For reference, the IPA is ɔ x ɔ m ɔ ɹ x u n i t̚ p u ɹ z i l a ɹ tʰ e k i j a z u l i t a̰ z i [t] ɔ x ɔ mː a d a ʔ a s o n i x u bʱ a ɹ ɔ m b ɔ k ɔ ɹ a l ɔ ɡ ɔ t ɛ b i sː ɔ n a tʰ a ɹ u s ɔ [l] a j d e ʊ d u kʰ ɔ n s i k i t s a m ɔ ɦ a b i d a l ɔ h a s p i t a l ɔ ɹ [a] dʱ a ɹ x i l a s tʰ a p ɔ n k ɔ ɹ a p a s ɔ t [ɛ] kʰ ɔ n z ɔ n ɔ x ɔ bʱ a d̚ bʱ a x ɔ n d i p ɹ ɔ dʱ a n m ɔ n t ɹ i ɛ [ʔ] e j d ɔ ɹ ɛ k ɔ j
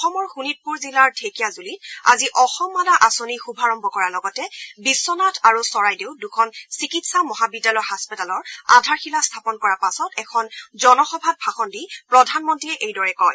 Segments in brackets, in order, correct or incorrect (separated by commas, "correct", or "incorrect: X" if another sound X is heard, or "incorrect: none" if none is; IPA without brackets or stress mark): incorrect: ʔ, incorrect: ɹ, correct, correct, correct